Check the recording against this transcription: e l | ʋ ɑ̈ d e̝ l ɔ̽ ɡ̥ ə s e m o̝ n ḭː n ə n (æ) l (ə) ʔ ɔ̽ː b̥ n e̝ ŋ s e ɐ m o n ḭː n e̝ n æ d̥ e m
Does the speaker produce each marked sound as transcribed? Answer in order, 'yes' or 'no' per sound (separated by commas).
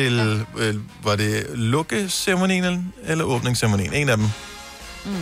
no, no